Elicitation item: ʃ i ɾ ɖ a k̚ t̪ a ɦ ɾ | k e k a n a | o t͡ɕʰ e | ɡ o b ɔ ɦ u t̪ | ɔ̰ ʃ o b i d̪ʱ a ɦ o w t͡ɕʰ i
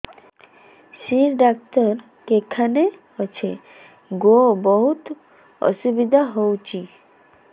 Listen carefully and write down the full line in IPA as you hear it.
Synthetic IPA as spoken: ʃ i ɾ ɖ a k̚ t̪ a ɾ | k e kʰ a n e | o t͡ɕʰ e | ɡ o b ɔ ɦ u t̪ | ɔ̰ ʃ u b i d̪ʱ a ɦ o w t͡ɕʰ i

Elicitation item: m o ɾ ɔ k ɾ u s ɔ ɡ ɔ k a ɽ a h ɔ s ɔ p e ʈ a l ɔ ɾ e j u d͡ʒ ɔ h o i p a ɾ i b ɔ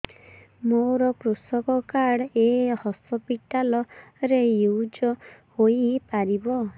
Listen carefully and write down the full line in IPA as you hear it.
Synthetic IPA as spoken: m o ɾ ɔ k ɾ u s ɔ k ɔ k a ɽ e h ɔ s ɔ p i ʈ a l ɔ ɾ e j u d͡ʒ ɔ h o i p a ɾ i b ɔ

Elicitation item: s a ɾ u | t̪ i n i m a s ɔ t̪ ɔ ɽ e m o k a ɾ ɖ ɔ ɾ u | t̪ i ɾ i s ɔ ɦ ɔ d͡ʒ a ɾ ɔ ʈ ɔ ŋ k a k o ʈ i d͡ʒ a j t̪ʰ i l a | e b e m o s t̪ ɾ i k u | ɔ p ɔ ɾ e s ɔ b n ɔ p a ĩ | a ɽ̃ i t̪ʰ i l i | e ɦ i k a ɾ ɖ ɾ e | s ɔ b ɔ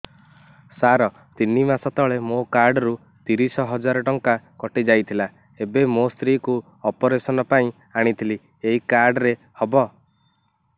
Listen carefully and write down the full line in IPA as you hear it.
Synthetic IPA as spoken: s a ɾ ɔ | t̪ i n i m a s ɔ t̪ ɔ ɭ e m o k a ɾ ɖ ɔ ɾ u | t̪ i ɾ i s ɔ ɦ ɔ d͡ʒ a ɾ ɔ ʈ ɔ ŋ k a k ɔ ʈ i d͡ʒ a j t̪ʰ i l a | e b e m o s t̪ ɾ i k u | ɔ p ɔ ɾ e s ɔ n ɔ p a ĩ | a ɽ̃ i t̪ʰ i l i | e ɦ i k a ɾ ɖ ɾ e | h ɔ b ɔ

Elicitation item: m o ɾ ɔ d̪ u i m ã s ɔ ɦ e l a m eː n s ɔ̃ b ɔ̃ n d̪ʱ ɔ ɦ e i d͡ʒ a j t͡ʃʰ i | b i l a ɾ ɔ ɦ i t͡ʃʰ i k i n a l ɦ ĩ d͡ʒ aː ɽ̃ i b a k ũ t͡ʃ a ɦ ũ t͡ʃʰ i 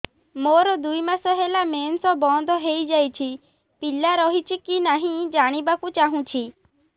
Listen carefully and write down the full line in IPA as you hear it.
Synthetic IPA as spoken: m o ɾ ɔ d̪ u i m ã s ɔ ɦ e l a m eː n s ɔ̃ b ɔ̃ n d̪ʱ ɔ ɦ e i d͡ʒ a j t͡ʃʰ i | p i l a ɾ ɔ ɦ i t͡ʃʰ i k i n a ɦ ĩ d͡ʒ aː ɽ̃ i b a k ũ t͡ʃ a ɦ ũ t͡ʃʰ i

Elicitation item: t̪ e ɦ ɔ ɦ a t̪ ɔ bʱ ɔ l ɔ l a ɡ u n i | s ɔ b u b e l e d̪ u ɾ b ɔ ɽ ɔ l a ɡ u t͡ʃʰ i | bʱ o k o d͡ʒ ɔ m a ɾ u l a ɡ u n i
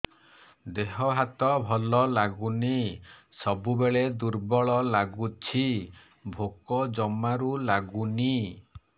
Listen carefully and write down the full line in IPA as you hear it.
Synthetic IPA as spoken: d̪ e ɦ ɔ ɦ a t̪ ɔ bʱ ɔ l ɔ l a ɡ u n i | s ɔ b u b e ɭ e d̪ u ɾ b ɔ ɭ ɔ l a ɡ u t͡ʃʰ i | bʱ o k ɔ d͡ʒ ɔ m a ɾ u l a ɡ u n i

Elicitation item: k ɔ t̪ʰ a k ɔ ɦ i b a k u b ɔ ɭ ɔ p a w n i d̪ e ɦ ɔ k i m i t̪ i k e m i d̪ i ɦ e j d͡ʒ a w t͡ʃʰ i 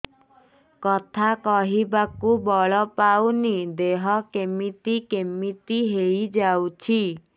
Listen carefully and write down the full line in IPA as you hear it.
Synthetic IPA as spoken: k ɔ t̪ʰ a k ɔ ɦ i b a k u b ɔ ɭ ɔ p a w n i d̪ e ɦ ɔ k e m i t̪ i k e m i t̪ i ɦ e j d͡ʒ a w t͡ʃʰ i

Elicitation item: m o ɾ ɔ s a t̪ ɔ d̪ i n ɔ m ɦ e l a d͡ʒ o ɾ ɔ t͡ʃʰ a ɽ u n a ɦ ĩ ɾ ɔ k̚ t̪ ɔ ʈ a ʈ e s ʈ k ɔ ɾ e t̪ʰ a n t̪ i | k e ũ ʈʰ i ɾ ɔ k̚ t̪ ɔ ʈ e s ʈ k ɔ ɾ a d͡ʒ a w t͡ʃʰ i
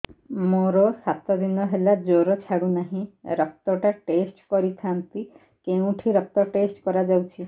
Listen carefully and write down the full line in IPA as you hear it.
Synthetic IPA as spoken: m o ɾ ɔ s a t̪ ɔ d̪ i n ɔ ɦ e l a d͡ʒ o ɾ ɔ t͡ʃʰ a ɽ u n a ɦ ĩ ɾ ɔ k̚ t̪ ɔ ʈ a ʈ e s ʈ k ɔ ɾ i t̪ʰ a n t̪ i | k e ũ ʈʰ i ɾ ɔ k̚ t̪ ɔ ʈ e s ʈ k ɔ ɾ a d͡ʒ a w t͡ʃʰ i

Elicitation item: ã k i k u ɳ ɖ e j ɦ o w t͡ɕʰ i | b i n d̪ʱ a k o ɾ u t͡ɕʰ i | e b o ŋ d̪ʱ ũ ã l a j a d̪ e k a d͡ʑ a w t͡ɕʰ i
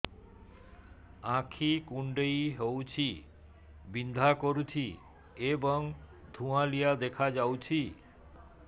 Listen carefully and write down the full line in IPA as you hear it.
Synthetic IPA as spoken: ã kʰ i k u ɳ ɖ e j ɦ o w t͡ɕʰ i | b i n d̪ʱ a k o ɾ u t͡ɕʰ i | e b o ŋ d̪ʱ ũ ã l i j a d̪ e kʰ a d͡ʑ a w t͡ɕʰ i

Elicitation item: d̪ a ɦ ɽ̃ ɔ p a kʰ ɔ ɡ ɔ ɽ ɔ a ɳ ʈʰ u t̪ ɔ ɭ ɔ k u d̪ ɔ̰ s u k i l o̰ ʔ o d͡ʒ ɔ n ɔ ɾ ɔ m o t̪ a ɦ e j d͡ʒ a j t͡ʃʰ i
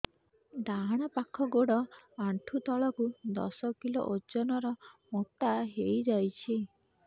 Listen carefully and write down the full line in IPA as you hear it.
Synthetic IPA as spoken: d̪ a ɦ ɽ̃ ɔ p a kʰ ɔ ɡ o ɽ ɔ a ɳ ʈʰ u t̪ ɔ ɭ ɔ k u d̪ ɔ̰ s ɔ k i l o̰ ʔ o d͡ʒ ɔ n ɔ ɾ ɔ m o t̪ a ɦ e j d͡ʒ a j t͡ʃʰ i

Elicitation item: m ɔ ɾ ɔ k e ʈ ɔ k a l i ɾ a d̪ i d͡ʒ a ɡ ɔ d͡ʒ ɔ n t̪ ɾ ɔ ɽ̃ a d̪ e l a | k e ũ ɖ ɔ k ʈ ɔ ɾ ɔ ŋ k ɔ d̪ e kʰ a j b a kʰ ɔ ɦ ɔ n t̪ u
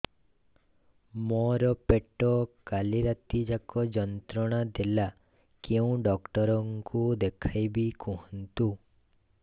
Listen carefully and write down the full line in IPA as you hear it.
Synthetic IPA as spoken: m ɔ ɾ ɔ p e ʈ ɔ k a l i ɾ a t̪ i d͡ʒ a k ɔ d͡ʒ ɔ n t̪ ɾ ɔ ɽ̃ a d̪ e l a | k e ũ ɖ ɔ k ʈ ɔ ɾ ɔ ŋ k u d̪ e kʰ a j b i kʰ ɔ ɦ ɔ n t̪ u

